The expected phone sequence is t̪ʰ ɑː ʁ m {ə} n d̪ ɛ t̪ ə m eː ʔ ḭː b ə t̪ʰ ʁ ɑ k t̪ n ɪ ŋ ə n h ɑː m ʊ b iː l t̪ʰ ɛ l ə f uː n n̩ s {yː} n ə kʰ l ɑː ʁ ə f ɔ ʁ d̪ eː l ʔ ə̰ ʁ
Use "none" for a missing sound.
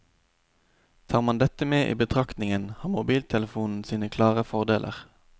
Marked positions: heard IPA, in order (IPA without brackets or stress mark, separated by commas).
ɑ, iː